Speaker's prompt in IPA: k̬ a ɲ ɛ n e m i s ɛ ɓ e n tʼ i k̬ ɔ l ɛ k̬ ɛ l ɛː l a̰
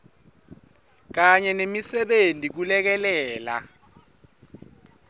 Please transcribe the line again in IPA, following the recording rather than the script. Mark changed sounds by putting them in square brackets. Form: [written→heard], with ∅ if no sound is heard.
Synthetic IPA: k̬ a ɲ ɛ n e m i s ɛ ɓ e n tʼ i k̬ [ɔ→u] l ɛ k̬ ɛ l ɛː l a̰